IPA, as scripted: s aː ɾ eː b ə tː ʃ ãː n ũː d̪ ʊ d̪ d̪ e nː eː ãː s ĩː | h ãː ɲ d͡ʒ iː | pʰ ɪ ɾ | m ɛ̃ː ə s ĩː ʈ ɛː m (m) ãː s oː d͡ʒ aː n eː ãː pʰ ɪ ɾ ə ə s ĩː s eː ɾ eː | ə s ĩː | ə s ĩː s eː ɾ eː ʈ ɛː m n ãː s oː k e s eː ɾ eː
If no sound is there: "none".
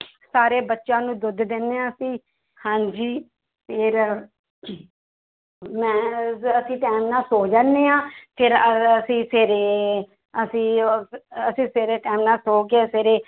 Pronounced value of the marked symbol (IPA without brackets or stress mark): n